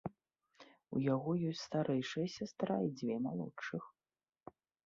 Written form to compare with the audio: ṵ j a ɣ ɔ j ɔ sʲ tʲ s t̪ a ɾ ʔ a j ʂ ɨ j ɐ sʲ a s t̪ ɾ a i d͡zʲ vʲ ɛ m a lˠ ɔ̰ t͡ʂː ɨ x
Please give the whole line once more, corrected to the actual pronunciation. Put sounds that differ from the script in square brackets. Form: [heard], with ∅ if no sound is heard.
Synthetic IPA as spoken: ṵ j a ɣ ɔ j ɔ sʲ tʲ s t̪ a ɾ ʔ [ɛ] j ʂ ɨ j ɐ sʲ a s t̪ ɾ a i d͡zʲ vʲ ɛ m a lˠ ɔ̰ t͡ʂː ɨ x